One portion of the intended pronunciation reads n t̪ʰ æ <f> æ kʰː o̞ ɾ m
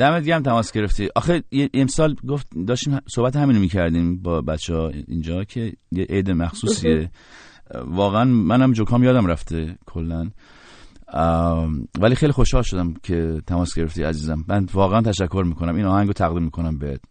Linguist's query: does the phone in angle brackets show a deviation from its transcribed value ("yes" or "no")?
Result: yes